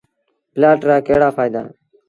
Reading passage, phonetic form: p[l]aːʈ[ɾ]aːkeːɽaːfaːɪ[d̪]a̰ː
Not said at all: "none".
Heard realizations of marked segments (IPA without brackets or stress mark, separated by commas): l, ɾ, d̪